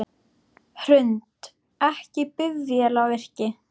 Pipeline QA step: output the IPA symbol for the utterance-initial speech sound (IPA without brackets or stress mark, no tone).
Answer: h